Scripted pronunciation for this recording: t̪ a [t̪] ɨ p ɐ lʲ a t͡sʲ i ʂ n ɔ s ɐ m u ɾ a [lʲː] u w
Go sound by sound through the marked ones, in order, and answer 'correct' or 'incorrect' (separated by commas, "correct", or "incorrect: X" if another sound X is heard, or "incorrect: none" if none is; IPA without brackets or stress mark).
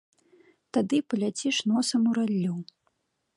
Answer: incorrect: d̪, correct